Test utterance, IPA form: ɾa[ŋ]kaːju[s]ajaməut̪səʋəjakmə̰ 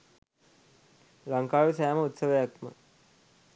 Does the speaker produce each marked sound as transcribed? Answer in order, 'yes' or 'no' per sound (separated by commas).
yes, yes